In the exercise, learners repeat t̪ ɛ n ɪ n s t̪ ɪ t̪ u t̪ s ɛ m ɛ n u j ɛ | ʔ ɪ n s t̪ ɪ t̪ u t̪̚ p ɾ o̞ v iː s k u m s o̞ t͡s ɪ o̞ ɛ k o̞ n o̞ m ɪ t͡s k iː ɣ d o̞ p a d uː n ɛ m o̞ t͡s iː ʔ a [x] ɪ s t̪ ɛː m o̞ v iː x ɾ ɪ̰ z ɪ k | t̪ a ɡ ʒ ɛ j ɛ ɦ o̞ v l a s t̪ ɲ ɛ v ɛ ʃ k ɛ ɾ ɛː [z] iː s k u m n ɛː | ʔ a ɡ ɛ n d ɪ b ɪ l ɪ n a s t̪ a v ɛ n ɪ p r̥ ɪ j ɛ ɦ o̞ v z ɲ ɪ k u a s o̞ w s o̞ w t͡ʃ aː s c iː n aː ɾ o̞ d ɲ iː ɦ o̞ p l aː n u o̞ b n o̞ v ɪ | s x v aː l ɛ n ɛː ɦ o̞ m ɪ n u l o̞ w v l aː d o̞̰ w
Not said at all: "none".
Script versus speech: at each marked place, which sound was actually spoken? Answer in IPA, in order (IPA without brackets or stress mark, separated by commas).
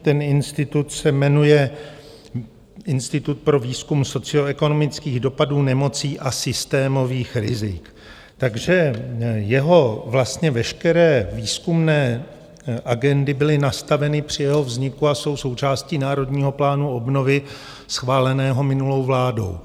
s, v